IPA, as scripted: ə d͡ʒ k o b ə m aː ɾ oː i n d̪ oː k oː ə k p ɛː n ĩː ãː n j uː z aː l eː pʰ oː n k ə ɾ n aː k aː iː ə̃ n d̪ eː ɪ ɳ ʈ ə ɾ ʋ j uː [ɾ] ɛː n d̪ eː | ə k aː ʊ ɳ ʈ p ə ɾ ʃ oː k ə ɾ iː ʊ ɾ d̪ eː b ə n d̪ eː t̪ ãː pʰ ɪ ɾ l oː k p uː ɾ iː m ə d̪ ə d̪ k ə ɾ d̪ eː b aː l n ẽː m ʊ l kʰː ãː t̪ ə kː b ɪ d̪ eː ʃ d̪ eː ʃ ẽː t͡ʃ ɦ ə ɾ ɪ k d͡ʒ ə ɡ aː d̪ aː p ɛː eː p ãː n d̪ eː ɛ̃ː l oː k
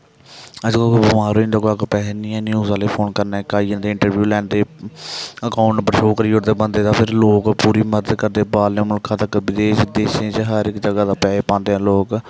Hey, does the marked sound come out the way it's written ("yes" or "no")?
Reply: no